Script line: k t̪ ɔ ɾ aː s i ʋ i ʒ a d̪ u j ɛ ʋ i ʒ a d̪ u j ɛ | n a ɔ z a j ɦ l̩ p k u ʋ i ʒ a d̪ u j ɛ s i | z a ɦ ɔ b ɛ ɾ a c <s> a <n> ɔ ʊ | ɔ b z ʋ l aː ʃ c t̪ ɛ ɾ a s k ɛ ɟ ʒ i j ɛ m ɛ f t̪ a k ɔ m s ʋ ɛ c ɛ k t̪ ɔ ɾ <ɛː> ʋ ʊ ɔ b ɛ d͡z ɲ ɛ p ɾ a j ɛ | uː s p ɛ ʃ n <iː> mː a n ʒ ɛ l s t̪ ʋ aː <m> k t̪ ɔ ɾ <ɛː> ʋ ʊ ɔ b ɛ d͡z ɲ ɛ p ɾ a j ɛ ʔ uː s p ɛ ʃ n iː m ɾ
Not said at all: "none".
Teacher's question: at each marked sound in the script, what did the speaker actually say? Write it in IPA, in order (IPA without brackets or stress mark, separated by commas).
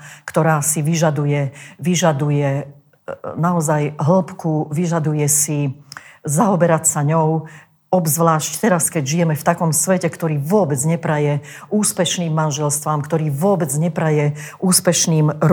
s, ɲ, iː, iː, m, iː